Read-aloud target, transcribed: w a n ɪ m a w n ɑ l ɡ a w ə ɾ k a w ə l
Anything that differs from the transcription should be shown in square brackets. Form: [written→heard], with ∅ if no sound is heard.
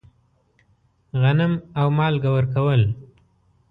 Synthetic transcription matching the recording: [w→ɣ] a n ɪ m a w [n→m] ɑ l ɡ a w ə ɾ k a w ə l